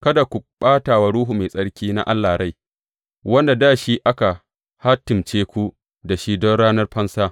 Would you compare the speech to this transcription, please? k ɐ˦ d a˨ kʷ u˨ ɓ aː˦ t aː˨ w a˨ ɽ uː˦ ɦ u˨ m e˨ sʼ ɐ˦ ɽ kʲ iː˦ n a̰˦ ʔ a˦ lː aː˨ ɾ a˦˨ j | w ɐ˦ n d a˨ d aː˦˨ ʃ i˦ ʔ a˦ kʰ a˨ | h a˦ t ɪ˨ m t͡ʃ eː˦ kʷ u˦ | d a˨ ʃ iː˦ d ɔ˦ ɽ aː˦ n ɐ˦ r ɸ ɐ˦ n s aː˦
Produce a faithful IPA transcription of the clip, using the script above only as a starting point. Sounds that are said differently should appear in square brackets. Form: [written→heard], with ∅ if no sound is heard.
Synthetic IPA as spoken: k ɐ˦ d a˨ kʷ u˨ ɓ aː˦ t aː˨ w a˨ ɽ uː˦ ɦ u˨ m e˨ sʼ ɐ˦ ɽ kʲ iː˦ n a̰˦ ʔ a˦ lː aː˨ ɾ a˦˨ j | w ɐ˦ n d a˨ d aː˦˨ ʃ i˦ ʔ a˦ [kʰ→k] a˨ | h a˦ t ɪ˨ m t͡ʃ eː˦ kʷ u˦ | d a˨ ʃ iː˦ d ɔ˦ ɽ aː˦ n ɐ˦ r ɸ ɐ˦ n s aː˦